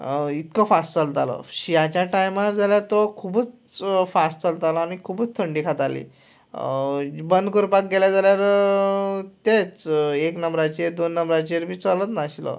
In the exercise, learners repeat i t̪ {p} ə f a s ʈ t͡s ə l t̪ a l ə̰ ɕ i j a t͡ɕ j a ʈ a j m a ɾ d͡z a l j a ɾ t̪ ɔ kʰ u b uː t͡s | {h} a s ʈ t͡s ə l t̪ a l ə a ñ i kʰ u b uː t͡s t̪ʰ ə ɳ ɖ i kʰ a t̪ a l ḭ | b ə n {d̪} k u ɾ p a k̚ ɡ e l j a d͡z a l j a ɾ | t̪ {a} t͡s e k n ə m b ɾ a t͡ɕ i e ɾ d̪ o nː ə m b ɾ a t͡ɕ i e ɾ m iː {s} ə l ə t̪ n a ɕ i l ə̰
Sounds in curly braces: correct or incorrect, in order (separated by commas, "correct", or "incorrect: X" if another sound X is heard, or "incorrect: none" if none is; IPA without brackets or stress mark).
incorrect: k, incorrect: f, correct, incorrect: e, incorrect: t͡s